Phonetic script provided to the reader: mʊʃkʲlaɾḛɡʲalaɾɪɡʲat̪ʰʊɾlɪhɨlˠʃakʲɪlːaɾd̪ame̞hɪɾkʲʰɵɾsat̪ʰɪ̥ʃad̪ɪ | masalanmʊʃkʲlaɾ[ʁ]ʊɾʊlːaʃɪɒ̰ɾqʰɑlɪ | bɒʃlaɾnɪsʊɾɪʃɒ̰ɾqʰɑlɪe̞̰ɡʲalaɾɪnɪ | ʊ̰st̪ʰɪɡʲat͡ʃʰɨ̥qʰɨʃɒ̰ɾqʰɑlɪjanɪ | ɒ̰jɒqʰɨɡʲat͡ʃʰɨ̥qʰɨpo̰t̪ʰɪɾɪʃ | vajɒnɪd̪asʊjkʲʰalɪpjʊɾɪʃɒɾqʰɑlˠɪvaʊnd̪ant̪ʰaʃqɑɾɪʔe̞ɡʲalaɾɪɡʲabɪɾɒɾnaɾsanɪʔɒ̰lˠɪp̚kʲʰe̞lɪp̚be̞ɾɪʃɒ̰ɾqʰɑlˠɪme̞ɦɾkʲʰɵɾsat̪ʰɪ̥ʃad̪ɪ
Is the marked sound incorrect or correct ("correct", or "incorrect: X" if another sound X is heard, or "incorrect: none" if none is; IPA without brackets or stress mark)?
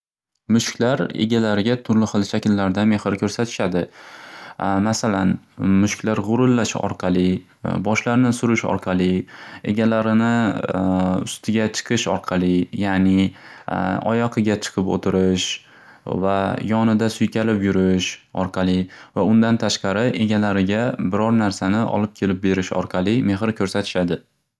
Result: correct